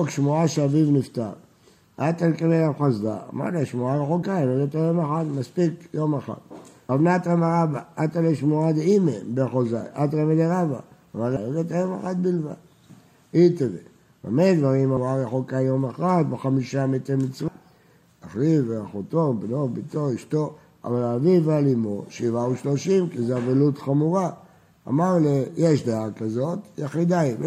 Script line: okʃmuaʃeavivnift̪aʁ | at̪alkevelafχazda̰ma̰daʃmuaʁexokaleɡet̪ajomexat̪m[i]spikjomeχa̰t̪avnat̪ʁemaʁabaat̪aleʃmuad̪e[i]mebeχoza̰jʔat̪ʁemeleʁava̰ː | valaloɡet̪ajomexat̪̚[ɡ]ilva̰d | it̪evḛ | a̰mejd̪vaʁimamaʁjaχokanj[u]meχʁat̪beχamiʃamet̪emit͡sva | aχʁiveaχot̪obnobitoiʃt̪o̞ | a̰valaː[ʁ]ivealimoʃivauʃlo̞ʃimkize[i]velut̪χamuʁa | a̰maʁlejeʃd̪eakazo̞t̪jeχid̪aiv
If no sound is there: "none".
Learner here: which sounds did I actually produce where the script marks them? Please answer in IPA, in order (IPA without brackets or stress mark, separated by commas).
a, i, b, o, v, a